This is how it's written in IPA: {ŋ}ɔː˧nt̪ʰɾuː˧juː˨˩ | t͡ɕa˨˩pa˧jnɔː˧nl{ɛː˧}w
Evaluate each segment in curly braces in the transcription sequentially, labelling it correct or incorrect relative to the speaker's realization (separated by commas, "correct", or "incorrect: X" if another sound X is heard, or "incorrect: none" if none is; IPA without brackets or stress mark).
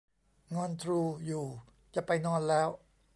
correct, incorrect: ɛː˦˥